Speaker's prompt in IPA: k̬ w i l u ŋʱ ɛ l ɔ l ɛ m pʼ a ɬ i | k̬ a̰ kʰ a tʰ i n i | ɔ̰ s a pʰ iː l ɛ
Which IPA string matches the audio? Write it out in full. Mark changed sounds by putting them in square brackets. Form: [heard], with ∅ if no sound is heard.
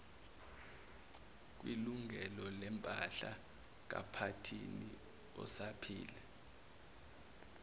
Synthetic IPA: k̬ w i l u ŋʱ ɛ l ɔ l ɛ m pʼ a ɬ [a] | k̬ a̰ [pʰ] a tʰ i n i | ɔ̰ s a pʰ iː l ɛ